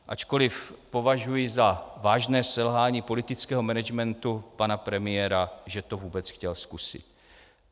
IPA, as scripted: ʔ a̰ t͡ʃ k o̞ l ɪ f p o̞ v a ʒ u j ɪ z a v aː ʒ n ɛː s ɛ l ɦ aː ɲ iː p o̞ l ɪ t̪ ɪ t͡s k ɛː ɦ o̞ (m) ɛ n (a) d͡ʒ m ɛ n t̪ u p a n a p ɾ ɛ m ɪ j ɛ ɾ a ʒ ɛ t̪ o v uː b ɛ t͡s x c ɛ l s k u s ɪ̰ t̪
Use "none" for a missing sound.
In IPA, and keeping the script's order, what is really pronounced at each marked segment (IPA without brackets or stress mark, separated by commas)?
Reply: m, ɛ